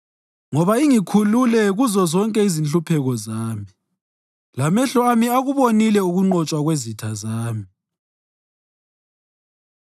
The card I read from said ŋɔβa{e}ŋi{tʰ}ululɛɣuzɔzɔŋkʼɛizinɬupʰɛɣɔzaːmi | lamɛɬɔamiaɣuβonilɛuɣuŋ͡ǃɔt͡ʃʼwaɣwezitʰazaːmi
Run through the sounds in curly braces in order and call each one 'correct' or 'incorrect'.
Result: incorrect, incorrect

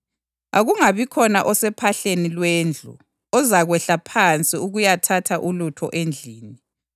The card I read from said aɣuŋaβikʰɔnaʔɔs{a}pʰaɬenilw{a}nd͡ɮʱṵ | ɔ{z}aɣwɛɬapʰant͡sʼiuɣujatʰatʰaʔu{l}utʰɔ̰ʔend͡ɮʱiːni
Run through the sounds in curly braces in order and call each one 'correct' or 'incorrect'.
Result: incorrect, incorrect, correct, correct

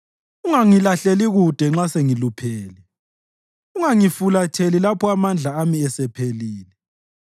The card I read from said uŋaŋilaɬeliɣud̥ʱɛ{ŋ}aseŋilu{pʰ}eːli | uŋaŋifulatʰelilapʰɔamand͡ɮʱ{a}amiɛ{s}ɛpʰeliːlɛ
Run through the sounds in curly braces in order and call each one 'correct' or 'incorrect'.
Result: incorrect, correct, correct, correct

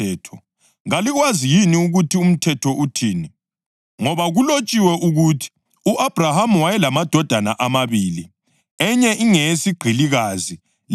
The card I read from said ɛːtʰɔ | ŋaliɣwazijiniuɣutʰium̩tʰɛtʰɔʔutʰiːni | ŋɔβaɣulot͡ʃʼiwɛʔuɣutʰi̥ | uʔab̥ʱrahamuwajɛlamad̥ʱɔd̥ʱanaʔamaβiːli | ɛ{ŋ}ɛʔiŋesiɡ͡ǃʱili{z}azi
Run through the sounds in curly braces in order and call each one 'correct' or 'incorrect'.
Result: incorrect, incorrect

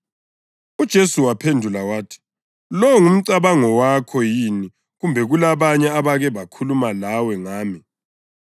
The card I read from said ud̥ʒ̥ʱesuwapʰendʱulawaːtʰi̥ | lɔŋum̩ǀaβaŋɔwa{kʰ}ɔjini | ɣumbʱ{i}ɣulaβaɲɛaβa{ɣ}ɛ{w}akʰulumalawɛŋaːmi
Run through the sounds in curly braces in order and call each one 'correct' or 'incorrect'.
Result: correct, incorrect, correct, incorrect

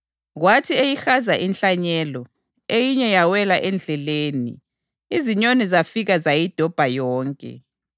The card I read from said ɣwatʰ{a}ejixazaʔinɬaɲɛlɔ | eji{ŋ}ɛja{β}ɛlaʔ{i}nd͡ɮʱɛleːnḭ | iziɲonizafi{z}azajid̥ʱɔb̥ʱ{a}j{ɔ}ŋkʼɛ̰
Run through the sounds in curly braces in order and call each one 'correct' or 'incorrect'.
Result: incorrect, incorrect, incorrect, incorrect, incorrect, correct, incorrect

